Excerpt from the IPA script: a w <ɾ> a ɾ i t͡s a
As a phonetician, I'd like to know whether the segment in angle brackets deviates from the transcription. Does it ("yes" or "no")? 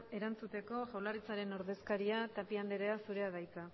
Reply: yes